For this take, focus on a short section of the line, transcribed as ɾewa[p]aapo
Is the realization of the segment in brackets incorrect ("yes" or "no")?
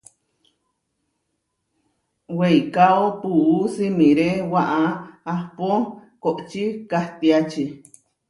yes